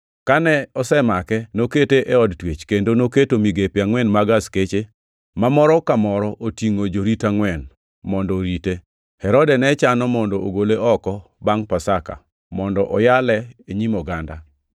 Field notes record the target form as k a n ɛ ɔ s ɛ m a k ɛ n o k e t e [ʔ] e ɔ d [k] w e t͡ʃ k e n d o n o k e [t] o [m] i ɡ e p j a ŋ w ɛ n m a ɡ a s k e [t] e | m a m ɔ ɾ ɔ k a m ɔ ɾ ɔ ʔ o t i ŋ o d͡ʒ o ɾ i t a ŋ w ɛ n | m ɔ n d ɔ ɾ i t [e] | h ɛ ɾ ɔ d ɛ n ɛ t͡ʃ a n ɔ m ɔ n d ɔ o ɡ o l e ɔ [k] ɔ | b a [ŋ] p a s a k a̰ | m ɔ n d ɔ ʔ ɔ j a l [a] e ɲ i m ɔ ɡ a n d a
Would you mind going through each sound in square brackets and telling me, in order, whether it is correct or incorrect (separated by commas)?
correct, incorrect, correct, correct, incorrect, correct, correct, correct, incorrect